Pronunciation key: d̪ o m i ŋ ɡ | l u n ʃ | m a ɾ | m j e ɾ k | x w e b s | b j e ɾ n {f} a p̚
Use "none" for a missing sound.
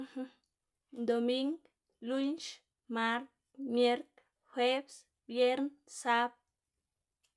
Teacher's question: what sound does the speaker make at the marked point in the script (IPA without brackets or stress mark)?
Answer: s